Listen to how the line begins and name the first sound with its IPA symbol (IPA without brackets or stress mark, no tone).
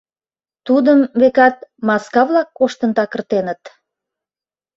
t̪